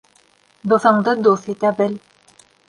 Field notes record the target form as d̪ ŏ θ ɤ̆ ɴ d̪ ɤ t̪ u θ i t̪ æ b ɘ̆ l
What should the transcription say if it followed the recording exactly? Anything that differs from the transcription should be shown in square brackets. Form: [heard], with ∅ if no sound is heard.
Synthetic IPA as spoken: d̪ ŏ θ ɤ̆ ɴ d̪ ɤ [d̪] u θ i t̪ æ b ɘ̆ l